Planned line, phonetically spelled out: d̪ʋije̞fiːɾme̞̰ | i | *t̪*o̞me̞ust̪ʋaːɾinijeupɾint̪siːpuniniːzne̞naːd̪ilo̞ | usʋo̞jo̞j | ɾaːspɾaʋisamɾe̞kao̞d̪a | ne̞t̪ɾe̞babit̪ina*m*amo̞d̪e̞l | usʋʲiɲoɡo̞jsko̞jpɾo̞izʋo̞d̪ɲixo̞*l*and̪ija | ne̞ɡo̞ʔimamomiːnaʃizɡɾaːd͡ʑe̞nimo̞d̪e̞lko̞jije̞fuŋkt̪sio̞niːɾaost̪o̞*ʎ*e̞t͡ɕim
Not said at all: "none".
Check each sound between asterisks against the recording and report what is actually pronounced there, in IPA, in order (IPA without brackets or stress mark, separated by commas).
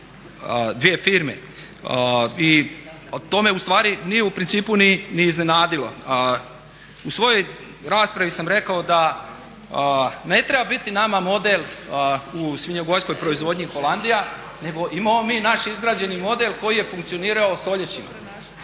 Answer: t̪, m, l, ʎ